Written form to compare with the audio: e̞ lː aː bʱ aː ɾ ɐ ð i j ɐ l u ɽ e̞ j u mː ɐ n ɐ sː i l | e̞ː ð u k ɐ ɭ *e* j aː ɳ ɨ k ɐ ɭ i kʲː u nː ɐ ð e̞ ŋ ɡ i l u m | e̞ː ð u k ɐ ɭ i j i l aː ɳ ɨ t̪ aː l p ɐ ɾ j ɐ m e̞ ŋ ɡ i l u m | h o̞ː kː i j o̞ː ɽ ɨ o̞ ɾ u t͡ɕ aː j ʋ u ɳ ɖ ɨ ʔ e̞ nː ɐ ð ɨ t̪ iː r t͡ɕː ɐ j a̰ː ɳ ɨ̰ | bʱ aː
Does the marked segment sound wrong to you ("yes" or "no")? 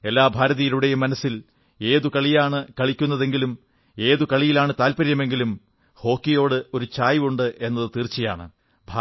yes